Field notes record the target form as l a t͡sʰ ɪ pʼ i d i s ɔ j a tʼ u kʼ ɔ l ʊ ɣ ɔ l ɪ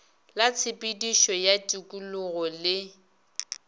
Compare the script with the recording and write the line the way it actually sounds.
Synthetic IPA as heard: l a t͡sʰ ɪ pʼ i d i ʃ ɔ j a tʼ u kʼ u l ʊ ɣ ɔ l ɪ